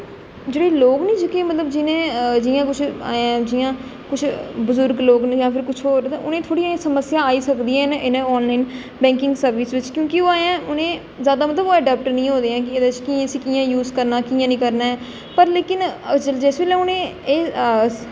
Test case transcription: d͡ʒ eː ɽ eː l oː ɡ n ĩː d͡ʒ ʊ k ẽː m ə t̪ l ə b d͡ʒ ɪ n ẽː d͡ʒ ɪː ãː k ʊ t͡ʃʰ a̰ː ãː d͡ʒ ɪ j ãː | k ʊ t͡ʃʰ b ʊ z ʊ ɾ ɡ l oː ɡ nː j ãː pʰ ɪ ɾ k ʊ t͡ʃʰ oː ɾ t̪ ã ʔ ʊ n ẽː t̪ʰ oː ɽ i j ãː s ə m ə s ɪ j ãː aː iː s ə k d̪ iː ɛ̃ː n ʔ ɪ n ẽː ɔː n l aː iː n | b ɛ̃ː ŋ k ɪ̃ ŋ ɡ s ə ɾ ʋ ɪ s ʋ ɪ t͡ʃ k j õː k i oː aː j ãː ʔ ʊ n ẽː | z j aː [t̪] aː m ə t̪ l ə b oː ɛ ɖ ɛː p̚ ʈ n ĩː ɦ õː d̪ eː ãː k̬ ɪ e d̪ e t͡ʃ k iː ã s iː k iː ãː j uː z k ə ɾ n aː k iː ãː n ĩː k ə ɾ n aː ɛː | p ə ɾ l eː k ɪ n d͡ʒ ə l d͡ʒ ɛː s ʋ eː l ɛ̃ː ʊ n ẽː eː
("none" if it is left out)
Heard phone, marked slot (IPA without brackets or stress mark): d̪